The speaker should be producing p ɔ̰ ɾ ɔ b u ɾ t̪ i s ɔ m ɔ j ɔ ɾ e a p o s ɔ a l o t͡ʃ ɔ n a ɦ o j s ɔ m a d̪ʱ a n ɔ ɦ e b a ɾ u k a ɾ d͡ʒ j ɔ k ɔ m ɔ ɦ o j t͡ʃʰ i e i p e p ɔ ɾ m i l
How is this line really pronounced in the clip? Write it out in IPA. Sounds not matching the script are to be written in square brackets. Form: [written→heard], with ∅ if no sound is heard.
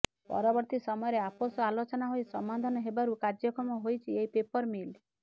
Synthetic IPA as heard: p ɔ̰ ɾ ɔ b [u→ɔ] ɾ t̪ i s ɔ m ɔ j ɔ ɾ e a p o s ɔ a l o t͡ʃ ɔ n a ɦ o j s ɔ m a d̪ʱ a n ɔ ɦ e b a ɾ u k a ɾ d͡ʒ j ɔ k ɔ m ɔ ɦ o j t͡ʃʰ i e i p e p ɔ ɾ m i l